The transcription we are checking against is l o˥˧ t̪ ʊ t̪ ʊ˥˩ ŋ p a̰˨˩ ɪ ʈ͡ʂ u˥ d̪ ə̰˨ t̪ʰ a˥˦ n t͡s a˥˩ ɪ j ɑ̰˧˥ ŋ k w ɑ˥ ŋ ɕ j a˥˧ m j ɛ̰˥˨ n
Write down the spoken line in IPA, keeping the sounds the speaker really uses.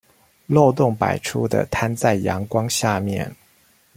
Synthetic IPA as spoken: l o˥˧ ʊ t̪ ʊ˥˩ ŋ p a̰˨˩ ɪ ʈ͡ʂʰ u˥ d̪ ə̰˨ t̪ʰ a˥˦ n t͡s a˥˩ ɪ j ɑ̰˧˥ ŋ k w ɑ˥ ŋ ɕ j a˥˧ m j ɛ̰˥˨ n